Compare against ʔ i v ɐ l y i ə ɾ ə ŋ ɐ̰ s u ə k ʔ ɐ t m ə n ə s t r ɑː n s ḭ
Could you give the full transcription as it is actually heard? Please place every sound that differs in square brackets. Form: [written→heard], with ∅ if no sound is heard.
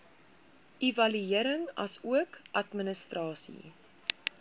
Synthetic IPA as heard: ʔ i v ɐ l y i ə ɾ ə ŋ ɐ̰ s u ə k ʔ ɐ t m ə n ə s t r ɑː [n→∅] s ḭ